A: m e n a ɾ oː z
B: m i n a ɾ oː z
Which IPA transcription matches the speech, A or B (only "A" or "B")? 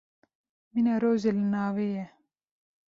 B